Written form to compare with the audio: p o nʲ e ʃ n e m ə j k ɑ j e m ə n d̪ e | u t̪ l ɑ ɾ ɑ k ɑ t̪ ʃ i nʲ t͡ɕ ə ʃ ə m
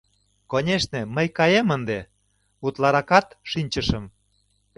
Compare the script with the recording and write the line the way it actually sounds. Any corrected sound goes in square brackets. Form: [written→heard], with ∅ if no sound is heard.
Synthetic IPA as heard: [p→k] o nʲ e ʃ n e m ə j k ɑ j e m ə n d̪ e | u t̪ l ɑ ɾ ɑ k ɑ t̪ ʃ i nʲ t͡ɕ ə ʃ ə m